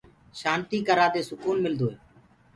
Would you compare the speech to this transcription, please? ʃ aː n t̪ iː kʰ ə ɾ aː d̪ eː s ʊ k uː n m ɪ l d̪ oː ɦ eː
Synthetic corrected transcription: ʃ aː n t̪ iː k ə ɾ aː d̪ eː s ʊ k uː n m ɪ l d̪ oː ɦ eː